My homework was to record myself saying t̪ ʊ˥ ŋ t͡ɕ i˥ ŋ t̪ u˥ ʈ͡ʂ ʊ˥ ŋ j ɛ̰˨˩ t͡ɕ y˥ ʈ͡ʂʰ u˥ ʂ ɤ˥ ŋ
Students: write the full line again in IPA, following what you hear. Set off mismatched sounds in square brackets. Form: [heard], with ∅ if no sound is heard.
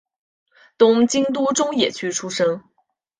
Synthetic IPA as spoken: t̪ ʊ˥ ŋ t͡ɕ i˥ ŋ t̪ u˥ ʈ͡ʂ ʊ˥ ŋ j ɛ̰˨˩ [t͡ɕʰ] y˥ ʈ͡ʂʰ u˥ ʂ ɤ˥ ŋ